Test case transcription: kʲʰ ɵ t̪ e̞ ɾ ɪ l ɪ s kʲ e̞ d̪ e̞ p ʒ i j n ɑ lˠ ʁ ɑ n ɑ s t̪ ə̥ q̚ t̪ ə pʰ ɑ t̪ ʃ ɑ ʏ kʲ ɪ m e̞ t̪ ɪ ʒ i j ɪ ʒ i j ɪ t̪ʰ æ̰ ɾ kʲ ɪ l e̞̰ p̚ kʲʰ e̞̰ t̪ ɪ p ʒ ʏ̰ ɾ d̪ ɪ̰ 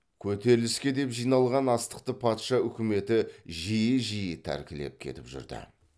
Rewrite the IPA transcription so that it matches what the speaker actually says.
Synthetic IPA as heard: kʲʰ ɵ t̪ e̞ ɾ ɪ l ɪ s kʲ e̞ d̪ e̞ p ʒ i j n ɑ lˠ ʁ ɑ n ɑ s t̪ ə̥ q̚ t̪ ə pʰ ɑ t̪ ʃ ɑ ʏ kʲ ɪ m e̞ t̪ ɪ ʒ i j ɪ ʒ i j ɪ t̪ʰ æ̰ ɾ kʲ ɪ l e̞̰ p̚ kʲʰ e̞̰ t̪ ɪ p ʒ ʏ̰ ɾ d̪ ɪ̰